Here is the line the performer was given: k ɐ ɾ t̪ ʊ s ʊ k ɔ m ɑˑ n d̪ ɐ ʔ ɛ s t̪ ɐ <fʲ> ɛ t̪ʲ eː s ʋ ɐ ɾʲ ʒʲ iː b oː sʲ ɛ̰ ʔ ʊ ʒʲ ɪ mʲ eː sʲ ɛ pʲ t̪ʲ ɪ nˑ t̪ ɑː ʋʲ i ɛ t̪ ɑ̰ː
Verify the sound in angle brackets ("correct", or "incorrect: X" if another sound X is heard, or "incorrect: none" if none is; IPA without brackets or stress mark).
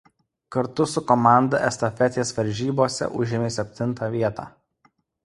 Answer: correct